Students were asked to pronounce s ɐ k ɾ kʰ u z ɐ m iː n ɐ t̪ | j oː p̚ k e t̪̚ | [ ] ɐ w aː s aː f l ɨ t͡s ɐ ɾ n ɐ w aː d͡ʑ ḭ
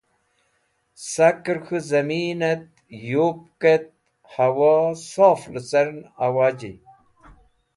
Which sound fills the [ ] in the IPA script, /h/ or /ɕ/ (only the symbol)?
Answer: h